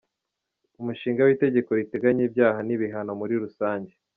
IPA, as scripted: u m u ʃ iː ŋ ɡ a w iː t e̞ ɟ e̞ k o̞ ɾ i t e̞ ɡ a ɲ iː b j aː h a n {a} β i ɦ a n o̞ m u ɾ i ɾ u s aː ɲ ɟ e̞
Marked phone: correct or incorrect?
incorrect